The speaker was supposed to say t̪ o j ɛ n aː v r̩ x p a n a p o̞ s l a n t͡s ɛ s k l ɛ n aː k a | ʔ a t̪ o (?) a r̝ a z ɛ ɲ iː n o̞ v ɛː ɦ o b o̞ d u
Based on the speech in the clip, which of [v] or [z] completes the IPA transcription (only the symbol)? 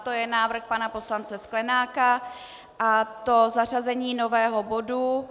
z